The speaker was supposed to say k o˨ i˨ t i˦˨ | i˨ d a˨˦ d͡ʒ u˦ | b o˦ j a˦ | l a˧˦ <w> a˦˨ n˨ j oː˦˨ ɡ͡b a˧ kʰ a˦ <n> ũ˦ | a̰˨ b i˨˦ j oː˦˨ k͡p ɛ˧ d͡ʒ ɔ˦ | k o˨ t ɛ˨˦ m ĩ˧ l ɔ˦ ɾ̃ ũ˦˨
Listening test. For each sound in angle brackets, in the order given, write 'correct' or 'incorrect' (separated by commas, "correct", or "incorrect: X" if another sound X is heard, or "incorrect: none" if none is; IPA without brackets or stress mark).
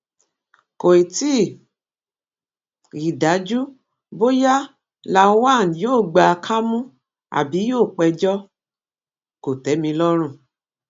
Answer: correct, incorrect: m